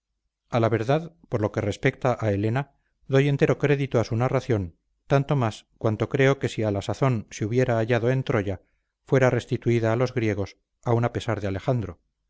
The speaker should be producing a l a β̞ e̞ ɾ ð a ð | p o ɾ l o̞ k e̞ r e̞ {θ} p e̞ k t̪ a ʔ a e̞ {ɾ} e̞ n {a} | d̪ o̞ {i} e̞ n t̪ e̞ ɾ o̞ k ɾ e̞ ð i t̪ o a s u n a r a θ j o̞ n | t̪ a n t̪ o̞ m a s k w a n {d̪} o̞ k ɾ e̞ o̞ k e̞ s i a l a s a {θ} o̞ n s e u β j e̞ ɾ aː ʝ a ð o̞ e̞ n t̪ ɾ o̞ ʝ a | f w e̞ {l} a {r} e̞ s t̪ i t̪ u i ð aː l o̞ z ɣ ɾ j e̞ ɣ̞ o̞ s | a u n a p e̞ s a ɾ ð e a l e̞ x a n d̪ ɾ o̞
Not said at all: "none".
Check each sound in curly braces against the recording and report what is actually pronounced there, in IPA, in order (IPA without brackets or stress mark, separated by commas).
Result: s, l, a, j, t̪, θ, ɾ, r